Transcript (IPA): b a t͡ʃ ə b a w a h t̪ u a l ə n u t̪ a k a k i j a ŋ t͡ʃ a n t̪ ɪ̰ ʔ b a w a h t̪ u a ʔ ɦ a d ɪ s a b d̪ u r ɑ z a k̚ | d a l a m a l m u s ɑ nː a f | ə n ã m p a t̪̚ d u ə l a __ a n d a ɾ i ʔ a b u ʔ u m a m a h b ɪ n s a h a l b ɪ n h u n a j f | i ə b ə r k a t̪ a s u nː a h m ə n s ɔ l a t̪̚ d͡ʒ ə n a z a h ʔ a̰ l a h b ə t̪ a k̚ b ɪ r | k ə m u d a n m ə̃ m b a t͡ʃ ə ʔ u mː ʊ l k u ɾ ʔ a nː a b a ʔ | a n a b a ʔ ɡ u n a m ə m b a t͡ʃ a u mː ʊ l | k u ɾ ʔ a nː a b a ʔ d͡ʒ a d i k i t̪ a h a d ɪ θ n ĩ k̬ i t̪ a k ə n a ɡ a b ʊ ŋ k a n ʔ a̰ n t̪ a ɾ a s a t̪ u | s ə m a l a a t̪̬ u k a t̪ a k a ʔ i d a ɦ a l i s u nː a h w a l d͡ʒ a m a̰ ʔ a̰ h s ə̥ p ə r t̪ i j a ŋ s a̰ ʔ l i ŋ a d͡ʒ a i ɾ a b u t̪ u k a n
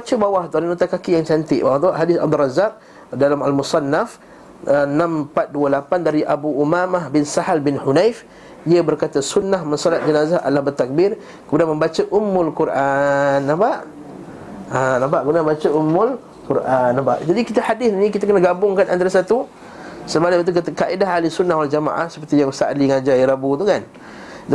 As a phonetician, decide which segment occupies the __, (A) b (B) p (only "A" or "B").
B